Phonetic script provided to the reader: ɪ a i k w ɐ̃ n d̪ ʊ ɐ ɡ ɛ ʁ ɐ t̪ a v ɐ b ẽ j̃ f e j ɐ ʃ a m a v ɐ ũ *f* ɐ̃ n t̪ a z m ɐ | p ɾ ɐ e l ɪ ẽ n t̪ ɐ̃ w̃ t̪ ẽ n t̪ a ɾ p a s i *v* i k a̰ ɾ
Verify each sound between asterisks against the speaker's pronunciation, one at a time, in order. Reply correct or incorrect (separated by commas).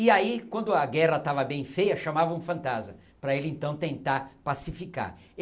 correct, incorrect